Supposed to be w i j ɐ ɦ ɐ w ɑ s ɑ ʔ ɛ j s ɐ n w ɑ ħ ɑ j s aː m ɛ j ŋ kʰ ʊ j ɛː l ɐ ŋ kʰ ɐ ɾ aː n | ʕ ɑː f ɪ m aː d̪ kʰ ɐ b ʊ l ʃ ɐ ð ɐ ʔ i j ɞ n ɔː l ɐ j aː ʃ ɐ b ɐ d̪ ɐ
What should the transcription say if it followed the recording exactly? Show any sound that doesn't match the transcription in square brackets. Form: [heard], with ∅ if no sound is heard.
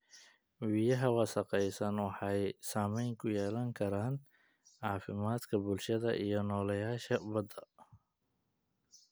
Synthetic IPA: w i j ɐ ɦ ɐ w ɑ s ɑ [q] ɛ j s ɐ n w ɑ ħ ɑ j s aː m ɛ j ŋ kʰ ʊ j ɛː l ɐ ŋ kʰ ɐ ɾ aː n | ʕ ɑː f ɪ m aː d̪ kʰ ɐ b ʊ l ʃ ɐ ð ɐ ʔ i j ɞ n ɔː l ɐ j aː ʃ ɐ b ɐ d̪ ɐ